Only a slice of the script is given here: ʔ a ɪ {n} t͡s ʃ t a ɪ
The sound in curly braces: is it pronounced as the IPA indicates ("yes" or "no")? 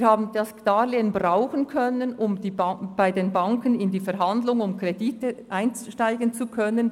yes